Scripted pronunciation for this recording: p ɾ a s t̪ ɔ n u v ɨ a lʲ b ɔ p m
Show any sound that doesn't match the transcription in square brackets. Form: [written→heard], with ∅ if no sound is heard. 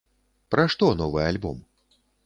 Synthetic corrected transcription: p ɾ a [s→ʂ] t̪ ɔ n [u→ɔ] v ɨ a lʲ b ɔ [p→∅] m